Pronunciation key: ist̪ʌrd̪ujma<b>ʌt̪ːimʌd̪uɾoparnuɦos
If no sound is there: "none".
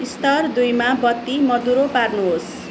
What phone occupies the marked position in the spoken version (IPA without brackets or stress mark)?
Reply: b